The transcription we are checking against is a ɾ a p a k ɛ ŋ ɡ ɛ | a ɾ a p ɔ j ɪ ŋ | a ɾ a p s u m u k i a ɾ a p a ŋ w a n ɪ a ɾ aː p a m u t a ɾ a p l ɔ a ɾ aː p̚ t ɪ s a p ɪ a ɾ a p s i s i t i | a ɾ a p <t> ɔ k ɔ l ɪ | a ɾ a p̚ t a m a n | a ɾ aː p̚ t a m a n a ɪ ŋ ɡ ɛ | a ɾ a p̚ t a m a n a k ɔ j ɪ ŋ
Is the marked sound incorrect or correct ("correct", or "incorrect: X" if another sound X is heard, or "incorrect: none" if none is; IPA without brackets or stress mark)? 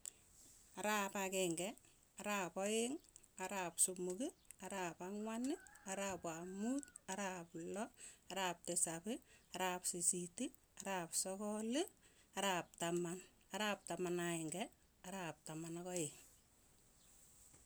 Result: incorrect: s